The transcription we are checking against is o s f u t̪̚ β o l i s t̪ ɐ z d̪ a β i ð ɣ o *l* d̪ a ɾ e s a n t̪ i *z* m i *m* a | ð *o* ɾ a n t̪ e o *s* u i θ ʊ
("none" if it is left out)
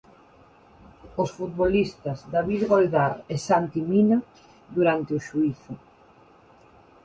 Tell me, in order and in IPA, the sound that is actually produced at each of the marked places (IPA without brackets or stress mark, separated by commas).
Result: l, none, n, u, ʃ